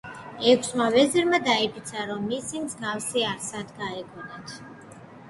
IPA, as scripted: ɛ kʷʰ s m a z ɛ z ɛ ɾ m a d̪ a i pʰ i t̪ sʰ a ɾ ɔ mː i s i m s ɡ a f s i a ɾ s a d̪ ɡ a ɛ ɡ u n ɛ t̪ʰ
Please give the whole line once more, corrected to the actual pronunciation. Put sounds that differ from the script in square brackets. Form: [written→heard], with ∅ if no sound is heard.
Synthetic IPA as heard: ɛ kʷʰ s m a [z→v] ɛ z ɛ ɾ m a d̪ a i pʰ i t̪ sʰ a ɾ ɔ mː i s i m [s→z] ɡ a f s i a ɾ s a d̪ ɡ a ɛ ɡ [u→ɔ] n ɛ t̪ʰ